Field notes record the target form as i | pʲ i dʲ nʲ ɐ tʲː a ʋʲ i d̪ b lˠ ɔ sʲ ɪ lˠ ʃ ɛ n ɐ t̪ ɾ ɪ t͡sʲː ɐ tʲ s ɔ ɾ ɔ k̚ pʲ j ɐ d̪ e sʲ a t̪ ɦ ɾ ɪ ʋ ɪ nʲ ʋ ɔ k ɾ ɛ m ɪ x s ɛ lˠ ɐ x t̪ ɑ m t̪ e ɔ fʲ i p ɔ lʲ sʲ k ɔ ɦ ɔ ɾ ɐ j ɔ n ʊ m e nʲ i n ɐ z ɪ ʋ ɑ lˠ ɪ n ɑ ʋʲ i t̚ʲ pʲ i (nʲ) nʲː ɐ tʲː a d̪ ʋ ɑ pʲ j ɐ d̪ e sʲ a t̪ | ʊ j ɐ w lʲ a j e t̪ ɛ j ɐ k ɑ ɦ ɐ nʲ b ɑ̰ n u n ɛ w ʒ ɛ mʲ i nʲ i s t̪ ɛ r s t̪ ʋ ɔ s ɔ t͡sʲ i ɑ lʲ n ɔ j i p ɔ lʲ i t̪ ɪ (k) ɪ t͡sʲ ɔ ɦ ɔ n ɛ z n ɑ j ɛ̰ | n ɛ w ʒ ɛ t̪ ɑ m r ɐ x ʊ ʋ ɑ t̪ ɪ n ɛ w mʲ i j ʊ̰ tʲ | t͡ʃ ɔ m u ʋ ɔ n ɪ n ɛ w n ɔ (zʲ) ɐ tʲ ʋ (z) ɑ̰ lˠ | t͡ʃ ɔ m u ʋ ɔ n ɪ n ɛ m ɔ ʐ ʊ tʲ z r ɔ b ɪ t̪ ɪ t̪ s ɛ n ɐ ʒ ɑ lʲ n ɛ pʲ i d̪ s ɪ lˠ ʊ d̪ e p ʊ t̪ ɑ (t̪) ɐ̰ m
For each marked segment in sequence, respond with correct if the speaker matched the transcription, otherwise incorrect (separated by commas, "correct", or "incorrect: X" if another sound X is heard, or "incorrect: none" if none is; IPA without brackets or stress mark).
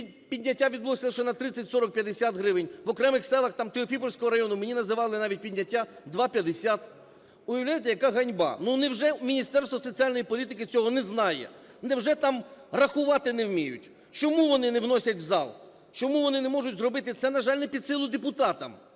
incorrect: dʲ, correct, incorrect: sʲ, correct, correct